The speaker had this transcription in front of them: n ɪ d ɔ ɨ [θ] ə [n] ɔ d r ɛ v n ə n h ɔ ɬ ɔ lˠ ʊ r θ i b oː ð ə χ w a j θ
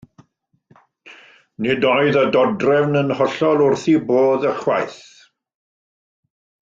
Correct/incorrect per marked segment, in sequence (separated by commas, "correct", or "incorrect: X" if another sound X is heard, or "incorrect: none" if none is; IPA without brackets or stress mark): incorrect: ð, incorrect: d